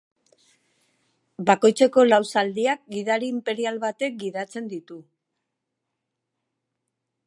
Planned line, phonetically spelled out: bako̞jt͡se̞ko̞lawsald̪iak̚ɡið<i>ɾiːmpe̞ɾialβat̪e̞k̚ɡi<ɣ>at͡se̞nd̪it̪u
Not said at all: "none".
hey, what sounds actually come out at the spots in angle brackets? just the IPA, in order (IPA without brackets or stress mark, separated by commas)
a, ð